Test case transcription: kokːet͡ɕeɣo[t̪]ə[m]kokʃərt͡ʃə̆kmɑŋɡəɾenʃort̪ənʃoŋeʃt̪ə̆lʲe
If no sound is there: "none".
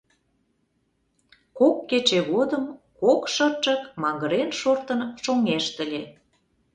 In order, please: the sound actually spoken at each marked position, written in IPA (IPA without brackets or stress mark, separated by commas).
d̪, m